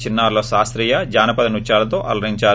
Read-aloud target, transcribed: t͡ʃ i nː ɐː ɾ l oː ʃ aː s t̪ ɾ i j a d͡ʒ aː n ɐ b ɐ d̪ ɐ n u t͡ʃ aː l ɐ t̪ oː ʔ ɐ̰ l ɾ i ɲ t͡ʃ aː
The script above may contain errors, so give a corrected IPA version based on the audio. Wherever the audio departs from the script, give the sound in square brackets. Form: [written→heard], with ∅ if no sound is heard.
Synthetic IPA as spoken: t͡ʃ i nː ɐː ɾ l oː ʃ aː s t̪ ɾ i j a d͡ʒ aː n ɐ [b→p] ɐ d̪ ɐ n u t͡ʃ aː l ɐ t̪ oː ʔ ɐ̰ l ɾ i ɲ t͡ʃ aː